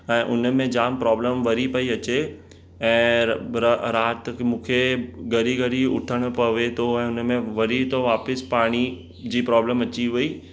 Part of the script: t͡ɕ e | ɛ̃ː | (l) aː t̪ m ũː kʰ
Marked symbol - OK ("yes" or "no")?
no